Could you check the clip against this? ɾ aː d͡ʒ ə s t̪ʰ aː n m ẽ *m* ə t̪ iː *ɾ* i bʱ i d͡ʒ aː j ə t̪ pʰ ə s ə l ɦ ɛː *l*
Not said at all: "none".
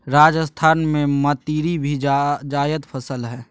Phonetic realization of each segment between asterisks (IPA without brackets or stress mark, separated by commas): m, ɾ, none